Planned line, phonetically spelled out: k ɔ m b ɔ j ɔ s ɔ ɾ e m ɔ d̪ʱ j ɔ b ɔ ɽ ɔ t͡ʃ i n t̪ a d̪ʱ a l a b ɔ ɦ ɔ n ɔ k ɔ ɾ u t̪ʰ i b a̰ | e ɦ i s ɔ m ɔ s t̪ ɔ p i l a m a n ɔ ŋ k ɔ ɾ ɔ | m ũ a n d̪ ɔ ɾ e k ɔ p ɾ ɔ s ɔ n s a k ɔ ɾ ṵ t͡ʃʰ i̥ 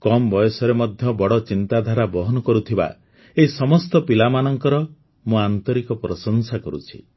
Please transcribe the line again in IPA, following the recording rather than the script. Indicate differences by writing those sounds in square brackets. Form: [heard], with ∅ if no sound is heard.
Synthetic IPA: k ɔ m b ɔ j ɔ s ɔ ɾ e m ɔ d̪ʱ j ɔ b ɔ ɽ ɔ t͡ʃ i n t̪ a d̪ʱ a [ɾ] a b ɔ ɦ ɔ n ɔ k ɔ ɾ u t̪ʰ i b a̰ | e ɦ i s ɔ m ɔ s t̪ ɔ p i l a m a n ɔ ŋ k ɔ ɾ ɔ | m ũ a n [t̪] ɔ ɾ [i] k ɔ p ɾ ɔ s ɔ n s a k ɔ ɾ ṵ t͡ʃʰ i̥